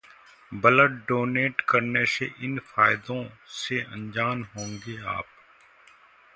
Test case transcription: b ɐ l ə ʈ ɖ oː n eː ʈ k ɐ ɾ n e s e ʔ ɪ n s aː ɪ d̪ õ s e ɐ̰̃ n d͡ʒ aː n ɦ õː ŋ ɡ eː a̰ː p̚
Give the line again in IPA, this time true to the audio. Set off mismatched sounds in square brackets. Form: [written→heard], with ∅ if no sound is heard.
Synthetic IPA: b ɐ l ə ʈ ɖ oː n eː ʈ k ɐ ɾ n e s e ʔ ɪ n [s→f] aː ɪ d̪ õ s e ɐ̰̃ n d͡ʒ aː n ɦ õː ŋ ɡ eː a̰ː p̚